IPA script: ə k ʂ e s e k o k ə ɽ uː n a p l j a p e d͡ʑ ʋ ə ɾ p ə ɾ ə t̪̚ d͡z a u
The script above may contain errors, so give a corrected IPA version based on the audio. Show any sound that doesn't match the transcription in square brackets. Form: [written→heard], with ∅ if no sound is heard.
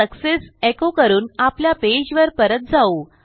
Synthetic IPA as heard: ə k [ʂ→s] e s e k o k ə [ɽ→ɾ] uː n a p l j a p e d͡ʑ ʋ ə ɾ p ə ɾ ə t̪̚ d͡z a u